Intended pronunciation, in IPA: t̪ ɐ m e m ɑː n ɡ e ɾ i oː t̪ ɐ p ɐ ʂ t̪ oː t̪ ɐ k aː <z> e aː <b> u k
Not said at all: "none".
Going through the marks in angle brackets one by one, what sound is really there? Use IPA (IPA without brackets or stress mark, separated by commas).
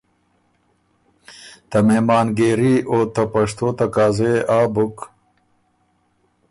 z, b